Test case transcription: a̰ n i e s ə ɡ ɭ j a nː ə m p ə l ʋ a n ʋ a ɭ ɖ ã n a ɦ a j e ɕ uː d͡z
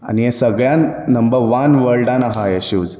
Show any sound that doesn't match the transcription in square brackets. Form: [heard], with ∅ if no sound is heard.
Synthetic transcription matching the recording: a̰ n i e s ə ɡ ɭ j a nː ə m [b] ə [ɾ] ʋ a n ʋ [ə] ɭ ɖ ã n a ɦ a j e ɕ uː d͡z